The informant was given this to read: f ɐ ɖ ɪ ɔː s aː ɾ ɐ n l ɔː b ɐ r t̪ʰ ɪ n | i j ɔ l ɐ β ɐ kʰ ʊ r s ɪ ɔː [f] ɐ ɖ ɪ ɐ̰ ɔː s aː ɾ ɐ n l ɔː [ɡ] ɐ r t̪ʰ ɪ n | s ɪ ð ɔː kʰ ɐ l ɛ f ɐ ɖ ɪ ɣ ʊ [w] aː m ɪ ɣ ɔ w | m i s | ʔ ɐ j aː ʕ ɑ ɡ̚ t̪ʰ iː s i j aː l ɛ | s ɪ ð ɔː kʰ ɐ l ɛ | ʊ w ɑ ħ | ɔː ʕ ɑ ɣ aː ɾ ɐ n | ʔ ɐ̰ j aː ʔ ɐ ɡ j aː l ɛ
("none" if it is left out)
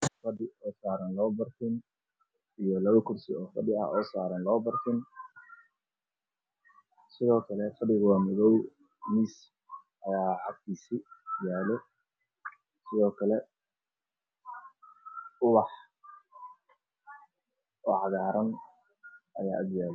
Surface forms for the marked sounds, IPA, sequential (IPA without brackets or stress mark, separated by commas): f, b, w